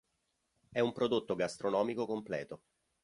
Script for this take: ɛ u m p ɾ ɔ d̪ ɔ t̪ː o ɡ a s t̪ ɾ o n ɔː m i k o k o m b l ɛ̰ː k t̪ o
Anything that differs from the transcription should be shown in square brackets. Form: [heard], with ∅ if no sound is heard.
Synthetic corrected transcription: ɛ u m p ɾ [o] d̪ [o] t̪ː o ɡ a s t̪ ɾ o n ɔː m i k o k o m [p] l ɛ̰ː [∅] t̪ o

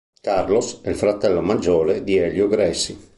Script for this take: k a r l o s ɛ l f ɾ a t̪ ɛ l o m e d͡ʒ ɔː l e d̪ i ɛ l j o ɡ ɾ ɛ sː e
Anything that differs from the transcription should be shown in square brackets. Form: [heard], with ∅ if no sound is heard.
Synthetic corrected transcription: k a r l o s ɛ l f ɾ a t̪ ɛ [lː] o m [a] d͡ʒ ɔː l e d̪ i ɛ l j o ɡ ɾ ɛ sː [i]

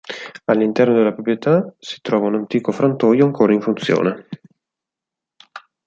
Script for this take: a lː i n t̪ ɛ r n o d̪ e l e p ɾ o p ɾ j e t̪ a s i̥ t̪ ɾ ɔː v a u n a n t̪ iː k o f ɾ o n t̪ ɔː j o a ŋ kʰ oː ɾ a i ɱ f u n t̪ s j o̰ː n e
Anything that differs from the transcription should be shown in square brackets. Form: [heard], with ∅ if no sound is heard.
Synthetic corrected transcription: a lː i n t̪ ɛ r n o d̪ e l [a] p ɾ o p ɾ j e t̪ a s i̥ t̪ ɾ ɔː v a u n a n t̪ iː k o f ɾ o n t̪ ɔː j o a ŋ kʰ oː ɾ a i ɱ f u n t̪ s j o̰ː n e

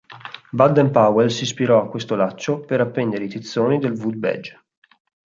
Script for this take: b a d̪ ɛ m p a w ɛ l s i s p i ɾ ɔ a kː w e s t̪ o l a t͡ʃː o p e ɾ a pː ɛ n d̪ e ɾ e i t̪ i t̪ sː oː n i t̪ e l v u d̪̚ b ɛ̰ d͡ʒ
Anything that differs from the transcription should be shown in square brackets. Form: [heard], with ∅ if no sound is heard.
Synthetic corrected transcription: b a d̪ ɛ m p a w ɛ l s i s p i ɾ ɔ a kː w e s t̪ o l a t͡ʃː o p e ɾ a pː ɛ n d̪ e ɾ e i t̪ i t̪ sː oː n i [d̪] e l v u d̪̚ b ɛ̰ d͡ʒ

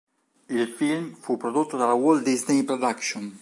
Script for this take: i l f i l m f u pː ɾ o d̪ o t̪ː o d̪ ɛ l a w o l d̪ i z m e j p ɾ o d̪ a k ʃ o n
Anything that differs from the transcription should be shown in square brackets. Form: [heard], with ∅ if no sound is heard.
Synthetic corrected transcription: i l f i l m f u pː ɾ o d̪ o t̪ː o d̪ [a] l a w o l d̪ i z [n] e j p ɾ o d̪ a k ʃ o n

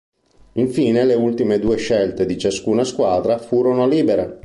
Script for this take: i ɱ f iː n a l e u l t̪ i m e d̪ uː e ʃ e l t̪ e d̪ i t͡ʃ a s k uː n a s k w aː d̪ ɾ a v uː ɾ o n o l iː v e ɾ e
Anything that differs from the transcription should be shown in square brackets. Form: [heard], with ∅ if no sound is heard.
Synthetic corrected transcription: i ɱ f iː n [e] l e u l t̪ i m e d̪ uː e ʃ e l t̪ e d̪ i t͡ʃ a s k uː n a s k w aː d̪ ɾ a [f] uː ɾ o n o l iː [b] e ɾ e

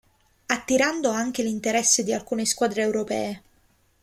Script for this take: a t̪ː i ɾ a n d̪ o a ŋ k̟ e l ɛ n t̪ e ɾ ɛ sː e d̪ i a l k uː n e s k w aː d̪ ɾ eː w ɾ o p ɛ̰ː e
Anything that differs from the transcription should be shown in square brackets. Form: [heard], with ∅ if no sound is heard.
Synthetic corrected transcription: a t̪ː i ɾ a n d̪ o a ŋ k̟ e l [i] n t̪ e ɾ ɛ sː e d̪ i a l k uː n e s k w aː d̪ ɾ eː w ɾ o p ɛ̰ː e

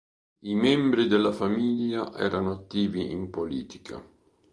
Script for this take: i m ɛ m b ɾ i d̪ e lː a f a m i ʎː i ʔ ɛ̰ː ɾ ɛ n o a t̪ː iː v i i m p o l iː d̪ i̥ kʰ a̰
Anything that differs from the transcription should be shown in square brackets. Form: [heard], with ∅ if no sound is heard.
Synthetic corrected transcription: i m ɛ m b ɾ i d̪ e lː a f a m i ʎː [a] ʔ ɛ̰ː ɾ [a] n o a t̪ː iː v i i m p o l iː [t̪] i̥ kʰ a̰

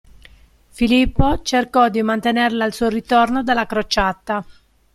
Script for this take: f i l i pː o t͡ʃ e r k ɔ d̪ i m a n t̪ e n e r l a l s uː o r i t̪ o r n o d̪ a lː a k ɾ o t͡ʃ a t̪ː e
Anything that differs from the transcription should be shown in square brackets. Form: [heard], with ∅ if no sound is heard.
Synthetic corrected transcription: f i l i pː o t͡ʃ e r k ɔ d̪ i m a n t̪ e n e r l a l s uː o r i t̪ o r n o d̪ a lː a k ɾ o t͡ʃ a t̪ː [a]

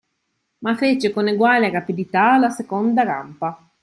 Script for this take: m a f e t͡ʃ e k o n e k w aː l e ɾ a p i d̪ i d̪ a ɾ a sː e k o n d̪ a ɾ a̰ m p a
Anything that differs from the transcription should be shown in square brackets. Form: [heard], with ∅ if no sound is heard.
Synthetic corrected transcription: m a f e t͡ʃ e k o n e [ɡ] w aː l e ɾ a p i d̪ i [t̪] a [l] a [s] e k o n d̪ a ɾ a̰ m p a

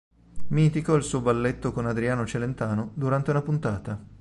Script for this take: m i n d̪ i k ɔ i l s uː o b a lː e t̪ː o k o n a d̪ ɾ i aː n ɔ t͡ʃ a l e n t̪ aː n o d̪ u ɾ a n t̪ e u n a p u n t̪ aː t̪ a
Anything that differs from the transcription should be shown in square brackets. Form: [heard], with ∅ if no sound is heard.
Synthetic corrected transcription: m i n [t̪] i k ɔ i l s uː o b a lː e t̪ː o k o n a d̪ ɾ i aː n [o] t͡ʃ [e] l e n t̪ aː n o d̪ u ɾ a n t̪ e u n a p u n t̪ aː t̪ a

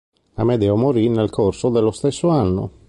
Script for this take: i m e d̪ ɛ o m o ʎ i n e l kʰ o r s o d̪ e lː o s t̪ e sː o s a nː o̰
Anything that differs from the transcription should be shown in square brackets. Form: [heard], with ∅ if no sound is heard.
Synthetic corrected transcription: [a] m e d̪ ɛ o m o [ɾ] i n e l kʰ o r s o d̪ e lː o s t̪ e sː o [∅] a nː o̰

